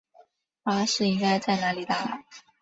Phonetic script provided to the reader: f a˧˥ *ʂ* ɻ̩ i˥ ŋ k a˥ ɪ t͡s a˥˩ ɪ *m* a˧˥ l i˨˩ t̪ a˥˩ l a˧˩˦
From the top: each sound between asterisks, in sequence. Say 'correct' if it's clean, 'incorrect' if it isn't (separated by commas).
correct, incorrect